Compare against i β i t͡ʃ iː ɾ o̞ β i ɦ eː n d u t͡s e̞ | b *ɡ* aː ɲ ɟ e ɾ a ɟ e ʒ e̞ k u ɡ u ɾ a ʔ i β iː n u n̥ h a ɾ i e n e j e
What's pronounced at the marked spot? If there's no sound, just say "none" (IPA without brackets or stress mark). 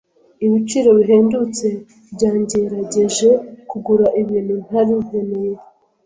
ɟ